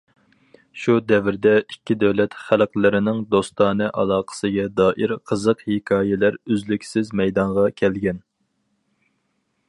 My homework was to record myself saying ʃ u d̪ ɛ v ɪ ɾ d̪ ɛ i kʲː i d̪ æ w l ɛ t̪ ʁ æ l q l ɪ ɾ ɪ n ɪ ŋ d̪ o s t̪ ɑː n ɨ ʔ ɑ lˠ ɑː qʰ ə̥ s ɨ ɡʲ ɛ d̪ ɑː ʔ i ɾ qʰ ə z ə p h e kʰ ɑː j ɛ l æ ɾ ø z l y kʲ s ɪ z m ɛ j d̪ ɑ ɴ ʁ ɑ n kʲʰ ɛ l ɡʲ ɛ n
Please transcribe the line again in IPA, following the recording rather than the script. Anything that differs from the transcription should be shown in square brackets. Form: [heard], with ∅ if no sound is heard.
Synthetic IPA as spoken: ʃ u d̪ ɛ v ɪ ɾ d̪ ɛ i kʲː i d̪ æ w l ɛ t̪ [χ] æ l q l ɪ ɾ ɪ n ɪ ŋ d̪ o s t̪ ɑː n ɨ ʔ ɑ lˠ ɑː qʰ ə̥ s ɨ ɡʲ ɛ d̪ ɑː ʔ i ɾ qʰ ə z ə [q] h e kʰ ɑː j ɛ l æ ɾ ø z l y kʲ s ɪ z m ɛ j d̪ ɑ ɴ ʁ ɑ [∅] kʲʰ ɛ l ɡʲ ɛ n